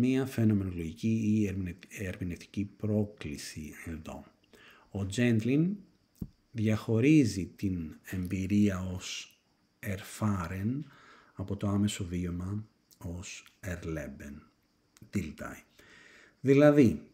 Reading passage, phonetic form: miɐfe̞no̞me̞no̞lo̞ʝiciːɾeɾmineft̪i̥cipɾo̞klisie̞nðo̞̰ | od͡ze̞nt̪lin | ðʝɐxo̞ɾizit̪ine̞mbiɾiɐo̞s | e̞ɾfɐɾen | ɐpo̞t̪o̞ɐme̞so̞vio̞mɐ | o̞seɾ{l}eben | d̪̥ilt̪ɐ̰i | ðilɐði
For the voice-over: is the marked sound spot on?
yes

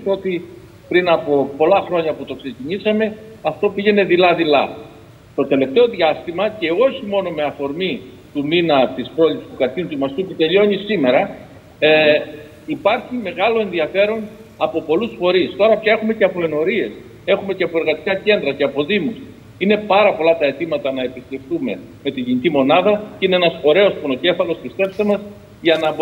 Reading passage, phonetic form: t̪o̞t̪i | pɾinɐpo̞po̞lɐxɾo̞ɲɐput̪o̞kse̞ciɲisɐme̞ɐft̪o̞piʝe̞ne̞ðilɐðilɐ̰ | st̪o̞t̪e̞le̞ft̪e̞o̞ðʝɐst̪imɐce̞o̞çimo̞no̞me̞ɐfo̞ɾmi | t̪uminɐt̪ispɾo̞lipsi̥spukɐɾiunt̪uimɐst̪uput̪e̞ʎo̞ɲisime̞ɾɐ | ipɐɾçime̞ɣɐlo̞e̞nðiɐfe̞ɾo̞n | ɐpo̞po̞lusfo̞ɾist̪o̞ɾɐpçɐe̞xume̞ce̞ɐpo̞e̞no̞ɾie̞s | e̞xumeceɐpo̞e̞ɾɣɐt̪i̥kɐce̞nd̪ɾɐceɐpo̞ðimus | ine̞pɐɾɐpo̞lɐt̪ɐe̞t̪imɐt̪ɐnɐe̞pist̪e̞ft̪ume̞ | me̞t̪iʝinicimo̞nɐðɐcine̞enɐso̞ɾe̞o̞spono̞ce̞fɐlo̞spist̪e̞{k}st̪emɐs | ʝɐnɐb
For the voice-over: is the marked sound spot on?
no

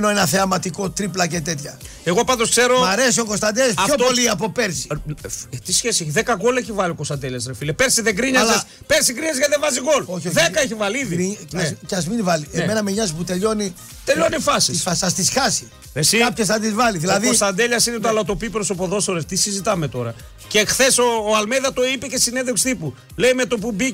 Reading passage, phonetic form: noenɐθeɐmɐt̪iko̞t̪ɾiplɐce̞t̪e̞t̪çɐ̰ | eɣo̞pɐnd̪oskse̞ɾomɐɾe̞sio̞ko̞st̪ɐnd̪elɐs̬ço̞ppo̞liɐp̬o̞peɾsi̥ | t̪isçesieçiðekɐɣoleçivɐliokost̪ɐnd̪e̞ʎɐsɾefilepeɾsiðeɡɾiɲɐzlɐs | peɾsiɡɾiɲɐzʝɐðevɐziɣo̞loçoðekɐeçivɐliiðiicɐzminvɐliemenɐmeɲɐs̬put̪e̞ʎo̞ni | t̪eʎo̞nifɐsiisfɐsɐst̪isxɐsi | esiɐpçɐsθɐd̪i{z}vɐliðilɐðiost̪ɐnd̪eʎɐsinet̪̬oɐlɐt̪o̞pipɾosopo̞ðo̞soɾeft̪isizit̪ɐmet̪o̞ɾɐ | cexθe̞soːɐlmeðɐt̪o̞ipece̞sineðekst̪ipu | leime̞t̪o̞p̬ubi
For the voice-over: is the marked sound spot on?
yes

